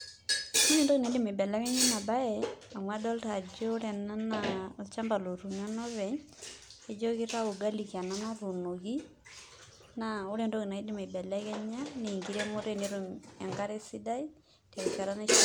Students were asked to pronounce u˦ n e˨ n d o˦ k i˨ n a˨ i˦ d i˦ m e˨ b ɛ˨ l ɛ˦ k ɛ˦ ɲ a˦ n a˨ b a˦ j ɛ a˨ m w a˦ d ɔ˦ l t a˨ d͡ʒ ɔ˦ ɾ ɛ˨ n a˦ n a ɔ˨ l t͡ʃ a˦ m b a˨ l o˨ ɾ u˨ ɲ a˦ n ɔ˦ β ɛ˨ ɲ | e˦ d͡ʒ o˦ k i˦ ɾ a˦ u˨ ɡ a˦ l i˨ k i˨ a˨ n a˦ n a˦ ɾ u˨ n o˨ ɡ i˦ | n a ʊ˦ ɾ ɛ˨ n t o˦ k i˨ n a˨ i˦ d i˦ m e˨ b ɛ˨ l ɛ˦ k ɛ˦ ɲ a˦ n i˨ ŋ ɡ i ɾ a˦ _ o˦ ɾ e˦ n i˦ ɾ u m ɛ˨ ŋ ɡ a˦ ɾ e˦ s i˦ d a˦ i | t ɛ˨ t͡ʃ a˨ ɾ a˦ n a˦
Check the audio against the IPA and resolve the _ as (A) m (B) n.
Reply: A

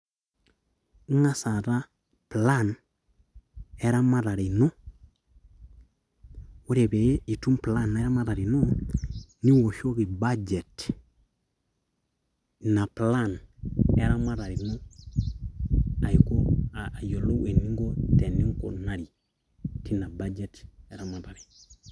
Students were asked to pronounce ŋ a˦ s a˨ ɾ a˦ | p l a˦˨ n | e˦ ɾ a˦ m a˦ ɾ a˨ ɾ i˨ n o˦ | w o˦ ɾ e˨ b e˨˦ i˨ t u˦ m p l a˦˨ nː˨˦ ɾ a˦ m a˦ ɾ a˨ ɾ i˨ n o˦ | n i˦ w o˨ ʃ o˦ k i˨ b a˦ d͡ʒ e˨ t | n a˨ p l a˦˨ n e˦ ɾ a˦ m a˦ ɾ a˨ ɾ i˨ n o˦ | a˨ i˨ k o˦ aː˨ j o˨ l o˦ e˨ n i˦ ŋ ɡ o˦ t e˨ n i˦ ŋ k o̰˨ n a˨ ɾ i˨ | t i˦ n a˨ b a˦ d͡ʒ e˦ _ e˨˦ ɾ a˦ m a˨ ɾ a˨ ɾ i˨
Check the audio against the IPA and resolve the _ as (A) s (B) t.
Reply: B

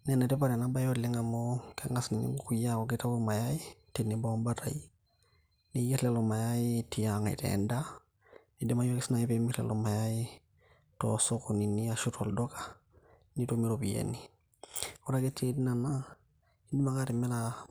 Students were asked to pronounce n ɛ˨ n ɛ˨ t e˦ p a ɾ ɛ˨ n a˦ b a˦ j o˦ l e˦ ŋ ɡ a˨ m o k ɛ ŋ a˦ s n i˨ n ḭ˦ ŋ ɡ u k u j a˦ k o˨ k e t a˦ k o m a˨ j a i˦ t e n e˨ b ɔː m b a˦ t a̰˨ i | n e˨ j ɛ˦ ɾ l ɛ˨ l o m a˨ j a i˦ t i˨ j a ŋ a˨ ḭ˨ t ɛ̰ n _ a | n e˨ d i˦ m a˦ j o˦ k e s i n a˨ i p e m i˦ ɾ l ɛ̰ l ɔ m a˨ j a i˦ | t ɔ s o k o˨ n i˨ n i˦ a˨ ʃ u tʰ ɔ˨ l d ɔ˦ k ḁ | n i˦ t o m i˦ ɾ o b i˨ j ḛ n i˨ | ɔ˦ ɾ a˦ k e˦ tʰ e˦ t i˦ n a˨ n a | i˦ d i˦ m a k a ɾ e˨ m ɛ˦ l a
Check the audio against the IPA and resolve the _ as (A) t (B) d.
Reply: B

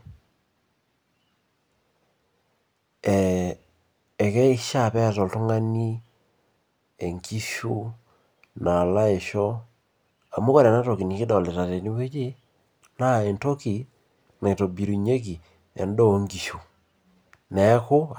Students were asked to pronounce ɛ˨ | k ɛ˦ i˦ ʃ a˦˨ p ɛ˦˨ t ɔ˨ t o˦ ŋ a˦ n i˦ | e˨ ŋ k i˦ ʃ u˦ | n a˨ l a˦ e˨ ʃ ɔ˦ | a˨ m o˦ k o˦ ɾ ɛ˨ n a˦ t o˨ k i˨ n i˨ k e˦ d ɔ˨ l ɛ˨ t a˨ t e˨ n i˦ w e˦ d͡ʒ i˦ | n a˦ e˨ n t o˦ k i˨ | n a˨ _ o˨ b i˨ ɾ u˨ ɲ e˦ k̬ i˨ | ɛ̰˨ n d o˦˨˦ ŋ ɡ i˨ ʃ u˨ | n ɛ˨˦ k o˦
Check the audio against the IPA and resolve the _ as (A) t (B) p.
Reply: A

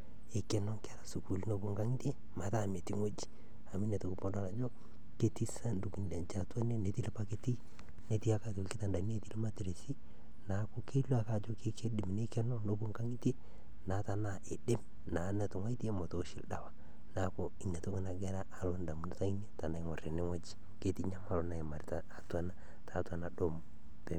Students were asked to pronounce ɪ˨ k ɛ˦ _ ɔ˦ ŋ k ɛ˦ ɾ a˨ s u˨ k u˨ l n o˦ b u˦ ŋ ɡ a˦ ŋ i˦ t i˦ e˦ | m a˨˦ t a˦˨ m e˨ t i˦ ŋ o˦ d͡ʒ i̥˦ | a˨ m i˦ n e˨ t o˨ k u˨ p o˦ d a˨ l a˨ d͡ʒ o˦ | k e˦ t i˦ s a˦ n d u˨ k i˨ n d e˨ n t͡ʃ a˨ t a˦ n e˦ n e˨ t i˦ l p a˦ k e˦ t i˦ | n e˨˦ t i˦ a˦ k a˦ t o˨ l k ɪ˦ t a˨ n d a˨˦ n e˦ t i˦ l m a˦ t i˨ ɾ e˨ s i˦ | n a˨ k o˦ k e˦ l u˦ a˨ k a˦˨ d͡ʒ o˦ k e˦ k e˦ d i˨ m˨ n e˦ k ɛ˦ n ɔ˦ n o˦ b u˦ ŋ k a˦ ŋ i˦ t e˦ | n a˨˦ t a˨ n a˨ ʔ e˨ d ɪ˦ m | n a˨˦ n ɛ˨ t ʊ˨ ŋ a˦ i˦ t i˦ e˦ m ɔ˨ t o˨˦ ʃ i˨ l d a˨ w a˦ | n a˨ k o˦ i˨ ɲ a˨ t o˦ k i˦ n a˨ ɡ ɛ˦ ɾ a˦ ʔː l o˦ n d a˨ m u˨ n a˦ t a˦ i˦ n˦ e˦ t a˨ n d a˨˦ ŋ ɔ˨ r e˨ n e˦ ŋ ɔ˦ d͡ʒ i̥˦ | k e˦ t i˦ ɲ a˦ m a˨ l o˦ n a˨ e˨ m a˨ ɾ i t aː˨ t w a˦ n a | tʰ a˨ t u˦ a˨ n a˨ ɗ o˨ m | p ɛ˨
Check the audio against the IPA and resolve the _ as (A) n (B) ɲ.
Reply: A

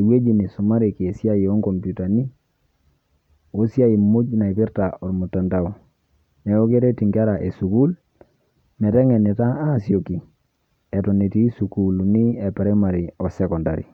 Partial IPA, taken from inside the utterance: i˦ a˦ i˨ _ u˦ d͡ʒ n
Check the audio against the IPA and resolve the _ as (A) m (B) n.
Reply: A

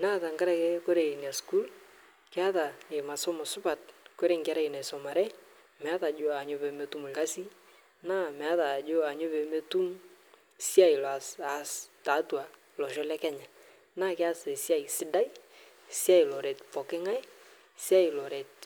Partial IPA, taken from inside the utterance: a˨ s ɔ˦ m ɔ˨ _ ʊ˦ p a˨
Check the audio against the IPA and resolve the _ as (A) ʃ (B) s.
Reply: B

